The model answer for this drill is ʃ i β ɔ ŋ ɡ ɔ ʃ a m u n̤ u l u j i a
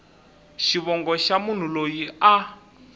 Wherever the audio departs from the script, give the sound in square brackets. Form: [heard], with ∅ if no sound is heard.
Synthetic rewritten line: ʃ i β ɔ ŋ ɡ ɔ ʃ a m u n̤ u l [o] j i a